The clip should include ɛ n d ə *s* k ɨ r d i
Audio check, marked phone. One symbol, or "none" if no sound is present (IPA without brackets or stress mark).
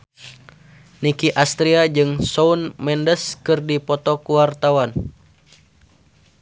s